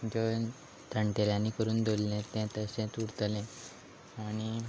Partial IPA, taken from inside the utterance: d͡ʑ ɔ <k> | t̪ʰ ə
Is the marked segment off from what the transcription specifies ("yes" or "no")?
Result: yes